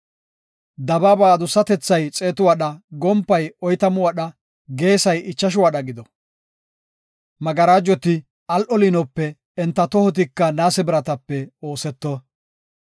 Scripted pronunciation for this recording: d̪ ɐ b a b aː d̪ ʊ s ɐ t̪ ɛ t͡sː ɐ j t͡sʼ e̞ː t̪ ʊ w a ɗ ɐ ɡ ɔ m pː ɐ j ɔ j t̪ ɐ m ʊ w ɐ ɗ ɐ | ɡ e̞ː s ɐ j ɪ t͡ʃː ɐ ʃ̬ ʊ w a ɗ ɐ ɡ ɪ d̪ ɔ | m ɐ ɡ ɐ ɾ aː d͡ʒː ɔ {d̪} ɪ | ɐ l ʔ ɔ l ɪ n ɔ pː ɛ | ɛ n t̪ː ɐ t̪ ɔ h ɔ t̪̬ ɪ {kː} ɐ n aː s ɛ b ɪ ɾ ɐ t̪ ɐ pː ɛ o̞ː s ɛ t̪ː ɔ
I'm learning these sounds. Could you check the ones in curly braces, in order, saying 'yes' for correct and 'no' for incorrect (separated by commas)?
no, yes